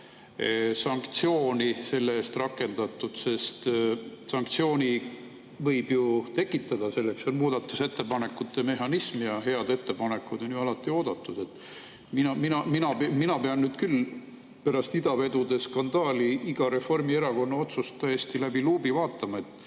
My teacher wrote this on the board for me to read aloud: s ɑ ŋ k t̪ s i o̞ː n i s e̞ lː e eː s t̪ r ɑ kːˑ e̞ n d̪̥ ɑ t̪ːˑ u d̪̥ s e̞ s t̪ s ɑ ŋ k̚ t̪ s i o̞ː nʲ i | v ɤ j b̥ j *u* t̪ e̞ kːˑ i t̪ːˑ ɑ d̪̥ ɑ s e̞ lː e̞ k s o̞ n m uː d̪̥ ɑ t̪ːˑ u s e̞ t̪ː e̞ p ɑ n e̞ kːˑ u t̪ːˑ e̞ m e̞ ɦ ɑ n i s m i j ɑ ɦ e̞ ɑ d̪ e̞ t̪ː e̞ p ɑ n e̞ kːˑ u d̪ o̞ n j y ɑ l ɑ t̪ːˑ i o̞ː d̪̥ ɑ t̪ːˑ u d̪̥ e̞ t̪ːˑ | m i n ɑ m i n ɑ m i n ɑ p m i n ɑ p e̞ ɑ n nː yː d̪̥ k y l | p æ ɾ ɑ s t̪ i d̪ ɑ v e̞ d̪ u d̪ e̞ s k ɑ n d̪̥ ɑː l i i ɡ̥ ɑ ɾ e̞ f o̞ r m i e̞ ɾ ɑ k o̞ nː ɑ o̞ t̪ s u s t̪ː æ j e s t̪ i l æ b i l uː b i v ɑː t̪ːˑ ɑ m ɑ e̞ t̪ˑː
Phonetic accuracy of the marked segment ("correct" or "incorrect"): correct